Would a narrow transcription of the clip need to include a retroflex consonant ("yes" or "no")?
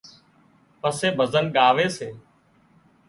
no